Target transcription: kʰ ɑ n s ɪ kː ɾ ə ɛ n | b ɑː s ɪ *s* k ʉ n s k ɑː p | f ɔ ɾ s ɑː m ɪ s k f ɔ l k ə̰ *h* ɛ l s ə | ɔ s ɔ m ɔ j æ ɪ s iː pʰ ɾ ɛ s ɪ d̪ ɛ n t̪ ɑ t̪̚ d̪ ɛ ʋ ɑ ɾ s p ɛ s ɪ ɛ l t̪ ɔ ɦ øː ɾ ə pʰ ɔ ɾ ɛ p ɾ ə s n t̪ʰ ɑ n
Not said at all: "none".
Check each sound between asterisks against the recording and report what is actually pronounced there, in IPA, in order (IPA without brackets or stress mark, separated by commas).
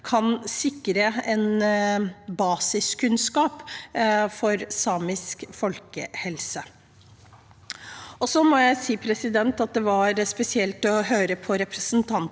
s, h